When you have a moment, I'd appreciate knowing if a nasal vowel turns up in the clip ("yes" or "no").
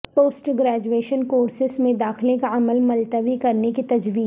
yes